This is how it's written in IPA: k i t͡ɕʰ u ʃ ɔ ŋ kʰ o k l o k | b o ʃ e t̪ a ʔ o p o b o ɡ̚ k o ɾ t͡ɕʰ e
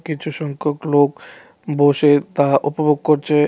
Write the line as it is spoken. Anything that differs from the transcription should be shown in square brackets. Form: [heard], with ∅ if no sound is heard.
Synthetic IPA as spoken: k i t͡ɕʰ u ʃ ɔ ŋ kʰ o k l o k | b o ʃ e t̪ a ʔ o p o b o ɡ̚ k o ɾ t͡ɕʰ e

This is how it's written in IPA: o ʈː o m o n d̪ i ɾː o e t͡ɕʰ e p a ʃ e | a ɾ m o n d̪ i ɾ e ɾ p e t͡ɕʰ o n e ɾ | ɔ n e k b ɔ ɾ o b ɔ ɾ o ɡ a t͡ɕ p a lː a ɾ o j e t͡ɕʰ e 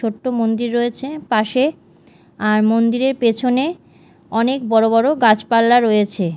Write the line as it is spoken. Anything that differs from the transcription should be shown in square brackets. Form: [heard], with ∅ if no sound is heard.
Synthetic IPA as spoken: o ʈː o m o n d̪ i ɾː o e t͡ɕʰ e p a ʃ e | a ɾ m o n d̪ i ɾ e ɾ p e t͡ɕʰ o n e [∅] | ɔ n e k b ɔ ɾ o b ɔ ɾ o ɡ a t͡ɕ p a lː a ɾ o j e t͡ɕʰ e

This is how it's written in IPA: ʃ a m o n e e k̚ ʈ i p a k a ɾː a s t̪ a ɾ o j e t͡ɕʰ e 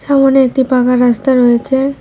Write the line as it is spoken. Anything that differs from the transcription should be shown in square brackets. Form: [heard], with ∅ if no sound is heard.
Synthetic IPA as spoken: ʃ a m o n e e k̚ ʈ i p a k a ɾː a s t̪ a ɾ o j e t͡ɕʰ e

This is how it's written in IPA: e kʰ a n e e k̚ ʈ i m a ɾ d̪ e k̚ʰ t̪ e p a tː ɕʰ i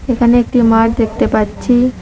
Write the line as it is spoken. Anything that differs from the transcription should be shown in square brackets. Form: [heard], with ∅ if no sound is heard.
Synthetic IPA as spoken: e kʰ a n e e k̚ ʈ i m a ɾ d̪ e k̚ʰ t̪ e p a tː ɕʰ i

